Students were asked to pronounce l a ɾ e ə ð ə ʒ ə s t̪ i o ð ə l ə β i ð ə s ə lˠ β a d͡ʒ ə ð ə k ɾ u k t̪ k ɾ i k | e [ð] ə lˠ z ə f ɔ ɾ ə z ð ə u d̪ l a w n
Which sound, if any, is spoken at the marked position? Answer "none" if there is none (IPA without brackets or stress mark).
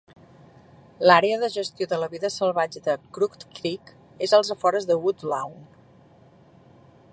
z